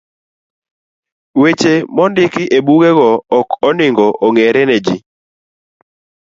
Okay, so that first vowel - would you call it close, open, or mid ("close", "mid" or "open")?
mid